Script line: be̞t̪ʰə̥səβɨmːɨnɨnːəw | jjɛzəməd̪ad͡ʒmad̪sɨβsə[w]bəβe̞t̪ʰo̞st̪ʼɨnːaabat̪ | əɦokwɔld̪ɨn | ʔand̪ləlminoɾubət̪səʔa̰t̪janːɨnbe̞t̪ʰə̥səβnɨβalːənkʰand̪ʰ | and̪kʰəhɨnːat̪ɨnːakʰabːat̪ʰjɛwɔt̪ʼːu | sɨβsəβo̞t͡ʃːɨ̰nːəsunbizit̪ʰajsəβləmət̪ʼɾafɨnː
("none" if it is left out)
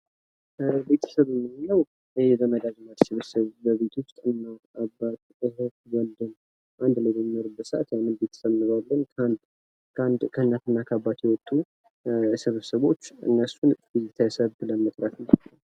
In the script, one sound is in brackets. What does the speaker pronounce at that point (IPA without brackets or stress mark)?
β